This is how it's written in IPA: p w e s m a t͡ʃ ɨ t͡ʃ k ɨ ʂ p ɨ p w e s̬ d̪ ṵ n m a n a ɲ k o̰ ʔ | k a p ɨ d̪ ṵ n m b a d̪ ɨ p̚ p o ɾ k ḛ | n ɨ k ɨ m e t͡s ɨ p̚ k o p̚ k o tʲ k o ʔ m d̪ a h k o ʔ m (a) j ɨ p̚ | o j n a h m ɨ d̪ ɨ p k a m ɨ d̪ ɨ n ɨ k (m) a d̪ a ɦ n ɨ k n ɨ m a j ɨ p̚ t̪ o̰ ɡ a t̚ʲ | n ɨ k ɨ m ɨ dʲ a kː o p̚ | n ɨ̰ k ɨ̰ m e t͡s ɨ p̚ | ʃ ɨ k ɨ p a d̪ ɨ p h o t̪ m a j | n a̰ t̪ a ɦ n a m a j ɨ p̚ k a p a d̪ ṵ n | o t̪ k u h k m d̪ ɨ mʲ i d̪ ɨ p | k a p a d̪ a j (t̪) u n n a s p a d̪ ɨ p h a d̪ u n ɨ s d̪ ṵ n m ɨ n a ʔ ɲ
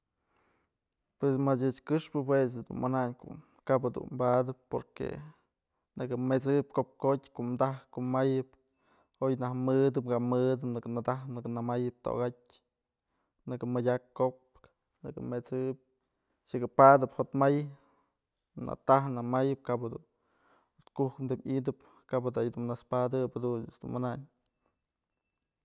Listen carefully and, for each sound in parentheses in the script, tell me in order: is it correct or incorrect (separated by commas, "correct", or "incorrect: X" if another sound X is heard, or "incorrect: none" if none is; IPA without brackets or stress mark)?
correct, incorrect: n, incorrect: d̪